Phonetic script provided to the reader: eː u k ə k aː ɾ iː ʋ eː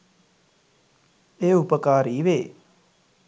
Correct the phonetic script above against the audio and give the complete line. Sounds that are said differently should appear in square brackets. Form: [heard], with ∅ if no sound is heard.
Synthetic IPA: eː u [p] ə k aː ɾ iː ʋ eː